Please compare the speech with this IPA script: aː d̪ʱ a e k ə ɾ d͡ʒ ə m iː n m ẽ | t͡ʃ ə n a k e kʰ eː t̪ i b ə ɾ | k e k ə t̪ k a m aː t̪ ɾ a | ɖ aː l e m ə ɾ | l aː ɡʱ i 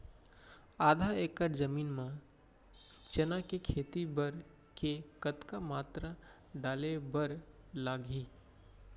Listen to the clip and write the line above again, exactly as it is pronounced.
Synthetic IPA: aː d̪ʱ a e k ə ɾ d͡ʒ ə m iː n m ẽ | t͡ʃ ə n a k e kʰ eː t̪ i b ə ɾ | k e k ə t̪ k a m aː t̪ ɾ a | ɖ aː l e b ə ɾ | l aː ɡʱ i